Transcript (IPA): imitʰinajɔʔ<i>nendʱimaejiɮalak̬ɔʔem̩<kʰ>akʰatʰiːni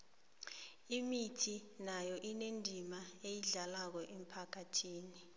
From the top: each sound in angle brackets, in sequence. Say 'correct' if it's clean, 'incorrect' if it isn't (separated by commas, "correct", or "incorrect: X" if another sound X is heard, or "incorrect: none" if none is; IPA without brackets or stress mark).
correct, incorrect: pʰ